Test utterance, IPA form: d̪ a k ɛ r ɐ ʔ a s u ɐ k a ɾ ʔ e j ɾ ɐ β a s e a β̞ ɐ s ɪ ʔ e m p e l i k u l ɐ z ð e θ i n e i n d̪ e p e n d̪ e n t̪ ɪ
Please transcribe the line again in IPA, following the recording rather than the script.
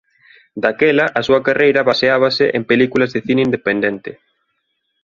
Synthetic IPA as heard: d̪ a k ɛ l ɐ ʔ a s u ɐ k a r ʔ e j ɾ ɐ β a s e a β̞ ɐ s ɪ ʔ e m p e l i k u l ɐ z ð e θ i n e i n d̪ e p e n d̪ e n t̪ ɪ

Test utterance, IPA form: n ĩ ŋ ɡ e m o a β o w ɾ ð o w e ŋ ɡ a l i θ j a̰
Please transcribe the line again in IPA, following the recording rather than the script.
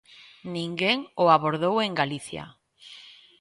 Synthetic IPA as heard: n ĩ ŋ ɡ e ŋ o a β o ɾ ð o w e ŋ ɡ a l i θ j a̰

